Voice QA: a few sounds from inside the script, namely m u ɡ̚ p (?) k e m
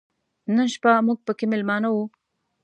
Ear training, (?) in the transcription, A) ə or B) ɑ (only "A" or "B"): A